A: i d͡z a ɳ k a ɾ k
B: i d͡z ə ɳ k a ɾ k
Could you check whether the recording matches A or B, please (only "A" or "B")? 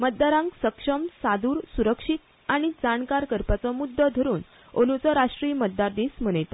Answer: A